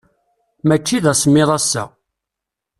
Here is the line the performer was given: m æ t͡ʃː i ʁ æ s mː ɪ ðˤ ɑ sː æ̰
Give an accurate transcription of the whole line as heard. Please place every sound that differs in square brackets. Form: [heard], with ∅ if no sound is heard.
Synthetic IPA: m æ t͡ʃː i [ð] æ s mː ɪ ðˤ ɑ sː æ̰